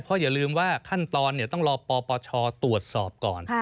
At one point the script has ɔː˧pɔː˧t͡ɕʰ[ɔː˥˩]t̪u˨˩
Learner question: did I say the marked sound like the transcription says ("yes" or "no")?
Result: no